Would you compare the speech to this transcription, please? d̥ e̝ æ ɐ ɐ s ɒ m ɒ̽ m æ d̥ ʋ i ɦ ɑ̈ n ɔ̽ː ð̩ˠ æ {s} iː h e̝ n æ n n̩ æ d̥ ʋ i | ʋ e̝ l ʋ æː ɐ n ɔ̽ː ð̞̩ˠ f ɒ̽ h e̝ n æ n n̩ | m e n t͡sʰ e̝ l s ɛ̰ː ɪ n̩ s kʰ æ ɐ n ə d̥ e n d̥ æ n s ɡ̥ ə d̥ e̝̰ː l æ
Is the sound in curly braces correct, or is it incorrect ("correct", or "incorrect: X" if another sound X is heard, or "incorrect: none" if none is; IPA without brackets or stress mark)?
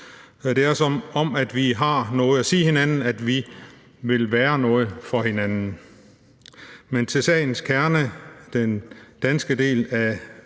correct